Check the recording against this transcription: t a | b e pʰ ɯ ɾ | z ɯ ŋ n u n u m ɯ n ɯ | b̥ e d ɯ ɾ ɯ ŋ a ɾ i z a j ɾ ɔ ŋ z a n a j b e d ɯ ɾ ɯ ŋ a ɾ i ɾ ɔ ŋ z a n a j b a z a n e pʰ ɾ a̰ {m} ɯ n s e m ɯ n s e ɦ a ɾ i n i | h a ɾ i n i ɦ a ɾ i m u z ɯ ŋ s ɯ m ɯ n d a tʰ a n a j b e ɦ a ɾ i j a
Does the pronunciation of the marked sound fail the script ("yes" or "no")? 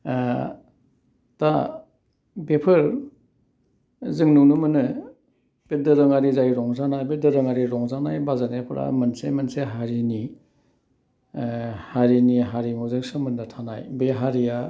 no